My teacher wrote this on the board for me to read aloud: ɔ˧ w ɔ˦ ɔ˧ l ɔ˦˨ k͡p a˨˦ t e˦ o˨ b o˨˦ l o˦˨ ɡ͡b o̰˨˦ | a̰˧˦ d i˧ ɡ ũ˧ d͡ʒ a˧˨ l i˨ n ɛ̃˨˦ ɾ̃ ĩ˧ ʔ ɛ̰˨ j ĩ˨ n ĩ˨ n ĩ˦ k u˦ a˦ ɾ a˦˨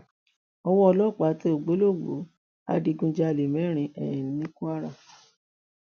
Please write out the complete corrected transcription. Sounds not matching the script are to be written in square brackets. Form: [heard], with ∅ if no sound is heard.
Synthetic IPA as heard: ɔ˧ w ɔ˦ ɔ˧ l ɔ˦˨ k͡p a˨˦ t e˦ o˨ [ɡ͡b] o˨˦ l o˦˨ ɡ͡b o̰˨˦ | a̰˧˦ d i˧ ɡ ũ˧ d͡ʒ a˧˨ l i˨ [m] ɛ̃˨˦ ɾ̃ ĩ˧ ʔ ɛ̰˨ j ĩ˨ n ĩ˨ n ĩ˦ k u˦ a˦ ɾ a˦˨